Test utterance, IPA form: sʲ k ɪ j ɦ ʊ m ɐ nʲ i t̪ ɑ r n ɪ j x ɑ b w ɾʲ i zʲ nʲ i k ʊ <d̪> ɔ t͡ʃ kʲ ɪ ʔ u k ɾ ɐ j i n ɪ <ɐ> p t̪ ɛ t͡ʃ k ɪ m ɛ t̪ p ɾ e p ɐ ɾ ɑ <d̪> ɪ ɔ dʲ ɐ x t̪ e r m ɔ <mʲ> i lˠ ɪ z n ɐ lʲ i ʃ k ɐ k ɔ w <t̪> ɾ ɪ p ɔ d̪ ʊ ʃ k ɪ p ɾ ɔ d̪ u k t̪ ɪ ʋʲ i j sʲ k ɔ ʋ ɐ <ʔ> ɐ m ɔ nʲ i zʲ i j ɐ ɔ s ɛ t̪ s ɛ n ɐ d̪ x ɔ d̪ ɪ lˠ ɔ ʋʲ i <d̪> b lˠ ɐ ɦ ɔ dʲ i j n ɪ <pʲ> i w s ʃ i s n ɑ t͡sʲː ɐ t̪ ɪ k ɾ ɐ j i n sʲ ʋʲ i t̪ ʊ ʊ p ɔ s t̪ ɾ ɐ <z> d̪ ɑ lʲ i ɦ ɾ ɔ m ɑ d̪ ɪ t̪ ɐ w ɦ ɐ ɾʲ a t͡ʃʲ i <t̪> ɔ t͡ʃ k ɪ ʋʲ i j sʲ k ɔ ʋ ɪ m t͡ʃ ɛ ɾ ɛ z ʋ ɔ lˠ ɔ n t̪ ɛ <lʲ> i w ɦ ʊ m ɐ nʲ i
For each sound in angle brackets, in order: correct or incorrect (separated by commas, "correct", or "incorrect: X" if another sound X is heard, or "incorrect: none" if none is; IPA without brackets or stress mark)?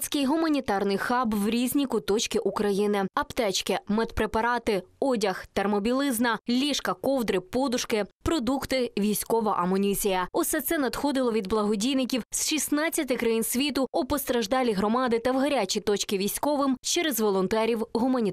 incorrect: t̪, correct, incorrect: t̪, incorrect: bʲ, incorrect: d̪, correct, correct, incorrect: kʲ, incorrect: ʒ, correct, incorrect: ɾʲ